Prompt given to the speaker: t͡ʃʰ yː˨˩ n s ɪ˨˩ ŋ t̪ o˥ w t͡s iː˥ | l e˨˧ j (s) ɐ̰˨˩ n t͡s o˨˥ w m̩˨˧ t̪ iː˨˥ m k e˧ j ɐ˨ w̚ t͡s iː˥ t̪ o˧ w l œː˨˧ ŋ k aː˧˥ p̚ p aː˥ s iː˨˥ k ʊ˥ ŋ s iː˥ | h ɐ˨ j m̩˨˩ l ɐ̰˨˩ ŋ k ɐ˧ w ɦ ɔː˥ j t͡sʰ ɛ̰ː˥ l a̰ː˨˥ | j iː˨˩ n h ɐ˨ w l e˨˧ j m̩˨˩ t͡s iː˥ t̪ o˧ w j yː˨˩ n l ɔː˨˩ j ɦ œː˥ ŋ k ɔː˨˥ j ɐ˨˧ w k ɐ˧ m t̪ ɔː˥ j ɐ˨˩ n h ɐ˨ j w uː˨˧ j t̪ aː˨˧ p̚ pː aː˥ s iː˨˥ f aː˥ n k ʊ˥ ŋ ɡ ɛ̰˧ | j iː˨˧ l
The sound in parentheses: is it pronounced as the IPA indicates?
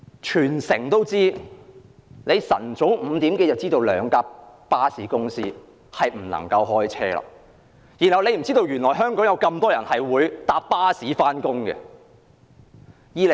yes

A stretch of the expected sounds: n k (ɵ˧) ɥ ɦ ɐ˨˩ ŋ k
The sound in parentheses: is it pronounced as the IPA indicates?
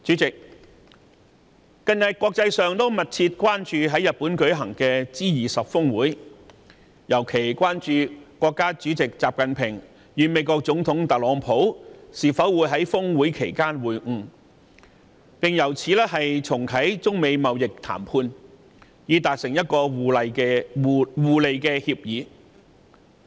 no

